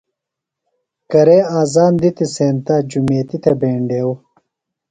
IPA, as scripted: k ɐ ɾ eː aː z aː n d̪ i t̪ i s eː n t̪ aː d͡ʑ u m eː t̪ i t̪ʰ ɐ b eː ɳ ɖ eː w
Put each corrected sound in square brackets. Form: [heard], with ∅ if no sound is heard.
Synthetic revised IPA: k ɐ ɾ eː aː z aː n d̪ i t̪ i s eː n t̪ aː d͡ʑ u m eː t̪ i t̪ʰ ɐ b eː ɳ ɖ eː w